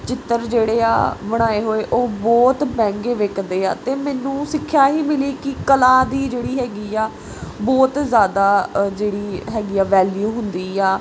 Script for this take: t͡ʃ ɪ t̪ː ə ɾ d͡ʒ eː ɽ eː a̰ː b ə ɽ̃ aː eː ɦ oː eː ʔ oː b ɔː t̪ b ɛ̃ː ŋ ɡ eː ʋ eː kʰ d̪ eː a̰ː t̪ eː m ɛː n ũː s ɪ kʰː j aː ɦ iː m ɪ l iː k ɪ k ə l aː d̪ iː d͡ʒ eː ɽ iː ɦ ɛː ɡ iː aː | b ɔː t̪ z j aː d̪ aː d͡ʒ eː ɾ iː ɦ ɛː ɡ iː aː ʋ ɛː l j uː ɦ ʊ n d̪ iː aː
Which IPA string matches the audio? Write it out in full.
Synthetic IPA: t͡ʃ ɪ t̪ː ə ɾ d͡ʒ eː ɽ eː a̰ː b ə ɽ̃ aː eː ɦ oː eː ʔ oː b ɔː t̪ b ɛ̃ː ŋ ɡ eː ʋ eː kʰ d̪ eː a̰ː t̪ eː m ɛː n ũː s ɪ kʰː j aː ɦ iː m ɪ l iː k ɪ k ə l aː d̪ iː d͡ʒ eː ɽ iː ɦ ɛː ɡ iː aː | b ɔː t̪ z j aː d̪ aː d͡ʒ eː ɽ iː ɦ ɛː ɡ iː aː ʋ ɛː l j uː ɦ ʊ n d̪ iː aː